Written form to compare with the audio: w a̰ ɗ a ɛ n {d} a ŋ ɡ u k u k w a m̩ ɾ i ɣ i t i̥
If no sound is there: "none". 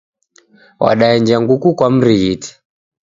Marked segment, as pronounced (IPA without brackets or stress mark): d͡ʒ